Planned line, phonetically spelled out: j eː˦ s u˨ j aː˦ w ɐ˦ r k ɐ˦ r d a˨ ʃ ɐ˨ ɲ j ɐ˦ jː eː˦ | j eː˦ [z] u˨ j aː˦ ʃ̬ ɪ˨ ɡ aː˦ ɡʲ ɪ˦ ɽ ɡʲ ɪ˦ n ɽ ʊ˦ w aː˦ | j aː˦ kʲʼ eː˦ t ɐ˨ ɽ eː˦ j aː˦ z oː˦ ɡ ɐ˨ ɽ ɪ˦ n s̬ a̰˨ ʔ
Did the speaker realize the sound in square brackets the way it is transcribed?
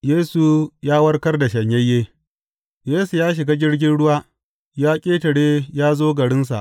no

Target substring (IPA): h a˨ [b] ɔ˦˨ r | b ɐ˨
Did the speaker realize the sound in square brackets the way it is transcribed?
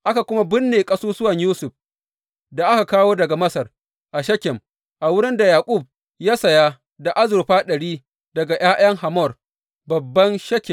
no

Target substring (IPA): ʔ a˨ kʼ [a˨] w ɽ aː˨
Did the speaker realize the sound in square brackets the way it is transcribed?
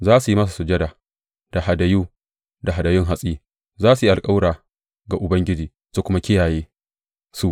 no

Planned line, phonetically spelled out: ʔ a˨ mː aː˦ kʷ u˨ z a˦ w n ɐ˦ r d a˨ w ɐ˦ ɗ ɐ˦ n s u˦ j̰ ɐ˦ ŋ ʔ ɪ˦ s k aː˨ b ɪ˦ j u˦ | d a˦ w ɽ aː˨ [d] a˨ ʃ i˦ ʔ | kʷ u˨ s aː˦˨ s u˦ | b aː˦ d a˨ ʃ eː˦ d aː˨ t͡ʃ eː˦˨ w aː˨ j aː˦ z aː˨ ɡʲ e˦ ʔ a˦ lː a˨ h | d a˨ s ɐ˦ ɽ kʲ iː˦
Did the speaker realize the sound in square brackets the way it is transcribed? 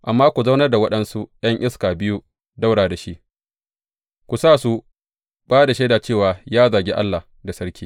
yes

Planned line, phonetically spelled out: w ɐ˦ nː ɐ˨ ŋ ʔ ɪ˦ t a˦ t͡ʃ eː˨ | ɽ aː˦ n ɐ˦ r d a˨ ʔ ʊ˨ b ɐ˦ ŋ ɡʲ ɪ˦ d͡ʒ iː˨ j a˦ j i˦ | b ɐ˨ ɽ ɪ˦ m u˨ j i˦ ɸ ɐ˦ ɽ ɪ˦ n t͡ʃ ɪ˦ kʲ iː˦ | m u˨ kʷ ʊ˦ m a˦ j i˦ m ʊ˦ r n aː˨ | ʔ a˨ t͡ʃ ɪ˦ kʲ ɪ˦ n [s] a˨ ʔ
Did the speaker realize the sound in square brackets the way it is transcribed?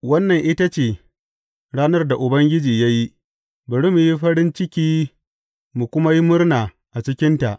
no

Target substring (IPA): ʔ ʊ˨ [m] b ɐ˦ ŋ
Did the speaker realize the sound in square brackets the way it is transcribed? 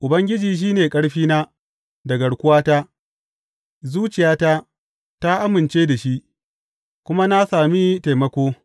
no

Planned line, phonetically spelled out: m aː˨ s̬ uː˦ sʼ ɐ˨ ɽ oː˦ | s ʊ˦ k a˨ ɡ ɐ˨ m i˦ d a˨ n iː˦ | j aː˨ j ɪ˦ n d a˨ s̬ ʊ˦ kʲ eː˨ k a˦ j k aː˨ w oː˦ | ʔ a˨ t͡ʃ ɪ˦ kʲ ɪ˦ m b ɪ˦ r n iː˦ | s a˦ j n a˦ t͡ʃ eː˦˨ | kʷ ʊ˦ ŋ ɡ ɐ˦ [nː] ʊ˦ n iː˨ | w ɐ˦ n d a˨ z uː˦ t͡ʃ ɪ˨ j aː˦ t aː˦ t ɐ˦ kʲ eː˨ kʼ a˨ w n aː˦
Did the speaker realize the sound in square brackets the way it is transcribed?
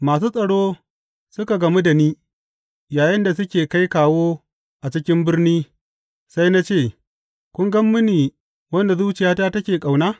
no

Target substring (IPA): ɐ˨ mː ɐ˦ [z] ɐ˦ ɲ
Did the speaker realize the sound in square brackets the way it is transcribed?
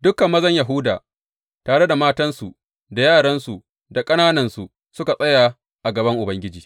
yes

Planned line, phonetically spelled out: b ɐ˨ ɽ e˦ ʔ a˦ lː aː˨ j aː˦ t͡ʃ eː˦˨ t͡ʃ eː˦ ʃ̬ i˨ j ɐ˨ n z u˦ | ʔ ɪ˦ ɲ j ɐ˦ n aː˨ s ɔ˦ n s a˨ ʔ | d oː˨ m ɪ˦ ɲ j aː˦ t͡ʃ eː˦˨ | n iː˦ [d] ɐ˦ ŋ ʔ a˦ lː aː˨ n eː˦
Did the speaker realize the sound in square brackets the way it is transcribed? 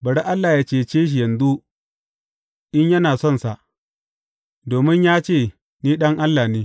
no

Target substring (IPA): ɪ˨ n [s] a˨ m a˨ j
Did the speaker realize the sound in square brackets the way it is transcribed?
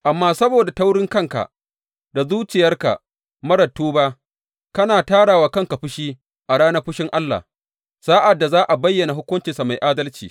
yes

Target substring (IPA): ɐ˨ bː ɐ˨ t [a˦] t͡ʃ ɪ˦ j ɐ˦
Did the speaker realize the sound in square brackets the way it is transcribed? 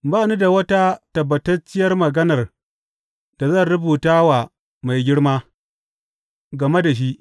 no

